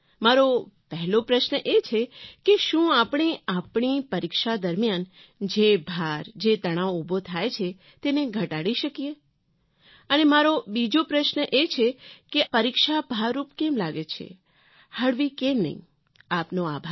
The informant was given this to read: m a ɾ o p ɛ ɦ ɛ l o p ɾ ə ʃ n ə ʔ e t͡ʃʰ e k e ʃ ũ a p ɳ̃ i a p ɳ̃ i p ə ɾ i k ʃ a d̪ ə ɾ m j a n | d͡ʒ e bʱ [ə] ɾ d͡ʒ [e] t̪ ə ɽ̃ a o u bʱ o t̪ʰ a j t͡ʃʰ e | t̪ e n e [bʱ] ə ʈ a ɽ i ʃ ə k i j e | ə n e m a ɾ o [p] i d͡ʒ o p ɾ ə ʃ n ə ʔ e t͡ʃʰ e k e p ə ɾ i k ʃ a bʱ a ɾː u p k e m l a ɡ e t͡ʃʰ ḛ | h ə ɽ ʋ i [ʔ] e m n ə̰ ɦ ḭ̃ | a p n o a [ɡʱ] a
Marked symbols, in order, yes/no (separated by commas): no, yes, no, no, no, no